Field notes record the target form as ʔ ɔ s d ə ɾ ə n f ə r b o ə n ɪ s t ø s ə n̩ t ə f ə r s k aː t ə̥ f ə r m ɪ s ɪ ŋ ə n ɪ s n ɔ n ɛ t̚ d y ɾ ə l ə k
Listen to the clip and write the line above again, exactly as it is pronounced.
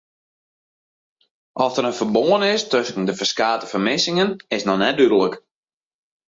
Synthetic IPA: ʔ ɔ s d ə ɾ ə n f ə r b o ə n ɪ s t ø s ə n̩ d ə f ə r s k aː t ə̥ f ə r m ɪ s ɪ ŋ ə n ɪ s n ɔ n ɛ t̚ d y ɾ ə l ə k